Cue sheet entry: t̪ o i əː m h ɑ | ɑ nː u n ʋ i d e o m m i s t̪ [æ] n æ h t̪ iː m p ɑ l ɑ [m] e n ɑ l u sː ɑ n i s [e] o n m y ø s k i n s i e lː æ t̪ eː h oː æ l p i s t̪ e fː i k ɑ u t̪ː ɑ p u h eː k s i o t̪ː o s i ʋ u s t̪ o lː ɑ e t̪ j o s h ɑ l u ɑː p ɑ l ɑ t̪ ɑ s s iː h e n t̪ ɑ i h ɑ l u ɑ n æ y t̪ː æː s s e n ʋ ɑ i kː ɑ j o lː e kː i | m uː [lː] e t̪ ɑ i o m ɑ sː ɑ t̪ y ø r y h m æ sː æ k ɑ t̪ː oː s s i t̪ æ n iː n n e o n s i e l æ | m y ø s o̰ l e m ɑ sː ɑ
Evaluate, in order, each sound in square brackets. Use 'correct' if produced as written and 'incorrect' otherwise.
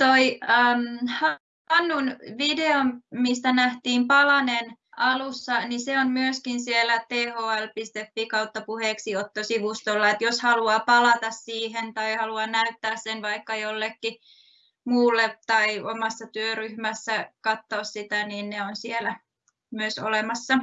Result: correct, incorrect: n, correct, correct

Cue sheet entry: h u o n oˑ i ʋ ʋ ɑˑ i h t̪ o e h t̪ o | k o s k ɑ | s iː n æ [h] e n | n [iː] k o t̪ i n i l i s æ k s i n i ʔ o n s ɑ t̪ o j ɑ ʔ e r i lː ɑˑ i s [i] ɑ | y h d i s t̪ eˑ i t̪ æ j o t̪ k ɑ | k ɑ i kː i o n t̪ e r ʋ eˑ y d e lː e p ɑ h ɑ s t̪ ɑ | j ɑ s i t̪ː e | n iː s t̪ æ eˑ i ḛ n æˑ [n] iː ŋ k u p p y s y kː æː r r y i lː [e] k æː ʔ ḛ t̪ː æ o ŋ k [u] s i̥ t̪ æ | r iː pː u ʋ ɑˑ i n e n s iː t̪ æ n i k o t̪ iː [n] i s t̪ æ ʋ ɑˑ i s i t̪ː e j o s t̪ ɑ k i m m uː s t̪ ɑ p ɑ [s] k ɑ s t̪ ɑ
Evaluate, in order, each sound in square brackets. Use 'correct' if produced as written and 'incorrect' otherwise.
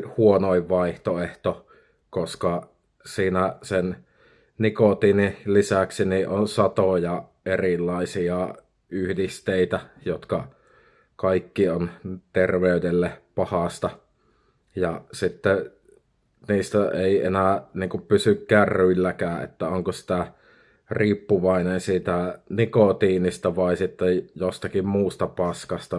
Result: incorrect: s, incorrect: i, correct, correct, incorrect: æ, incorrect: o, correct, correct

